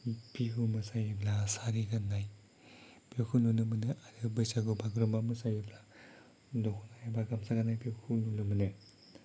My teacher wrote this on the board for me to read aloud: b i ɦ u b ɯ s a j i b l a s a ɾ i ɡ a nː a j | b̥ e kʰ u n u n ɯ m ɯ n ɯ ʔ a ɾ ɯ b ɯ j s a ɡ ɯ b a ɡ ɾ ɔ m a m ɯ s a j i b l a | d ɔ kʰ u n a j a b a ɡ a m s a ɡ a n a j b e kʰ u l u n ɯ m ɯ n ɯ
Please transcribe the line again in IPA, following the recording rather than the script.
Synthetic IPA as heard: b i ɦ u m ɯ s a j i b l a s a ɾ i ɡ a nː a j | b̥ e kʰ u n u n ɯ m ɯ n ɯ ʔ a ɾ ɯ b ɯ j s a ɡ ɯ b a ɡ ɾ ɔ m a m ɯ s a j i b l a | d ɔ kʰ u n a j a b a ɡ a m s a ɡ a n a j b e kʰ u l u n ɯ m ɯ n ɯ